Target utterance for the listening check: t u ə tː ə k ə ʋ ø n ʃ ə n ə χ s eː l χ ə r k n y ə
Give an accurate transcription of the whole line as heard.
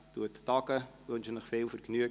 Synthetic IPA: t u ə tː ɑ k ə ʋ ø n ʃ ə n ə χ f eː l f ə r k n y ə